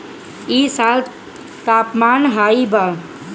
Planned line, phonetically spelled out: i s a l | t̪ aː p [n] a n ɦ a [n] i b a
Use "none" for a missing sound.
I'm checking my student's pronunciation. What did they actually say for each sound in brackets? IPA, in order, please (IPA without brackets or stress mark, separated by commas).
m, none